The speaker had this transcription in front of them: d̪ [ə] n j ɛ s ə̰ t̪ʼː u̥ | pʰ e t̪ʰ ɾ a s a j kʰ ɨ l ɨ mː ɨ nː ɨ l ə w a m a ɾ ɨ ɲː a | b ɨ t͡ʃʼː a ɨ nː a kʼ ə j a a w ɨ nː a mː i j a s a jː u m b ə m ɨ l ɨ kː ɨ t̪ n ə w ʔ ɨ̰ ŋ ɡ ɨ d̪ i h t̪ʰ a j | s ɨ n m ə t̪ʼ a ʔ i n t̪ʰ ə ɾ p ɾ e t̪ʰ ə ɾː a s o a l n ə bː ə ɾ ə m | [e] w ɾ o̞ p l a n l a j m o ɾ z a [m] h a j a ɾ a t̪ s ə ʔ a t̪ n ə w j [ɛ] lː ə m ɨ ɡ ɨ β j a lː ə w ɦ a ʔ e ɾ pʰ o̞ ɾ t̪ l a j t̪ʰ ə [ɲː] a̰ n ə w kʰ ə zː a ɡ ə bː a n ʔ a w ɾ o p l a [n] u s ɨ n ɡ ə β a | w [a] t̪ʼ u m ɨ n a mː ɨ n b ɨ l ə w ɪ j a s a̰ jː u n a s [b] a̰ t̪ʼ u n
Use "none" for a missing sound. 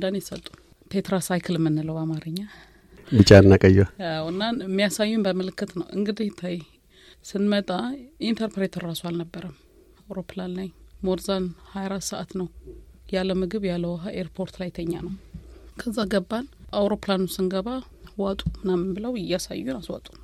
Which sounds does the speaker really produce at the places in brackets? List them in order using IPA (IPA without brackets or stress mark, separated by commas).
a, a, n, a, ɲː, n, a, w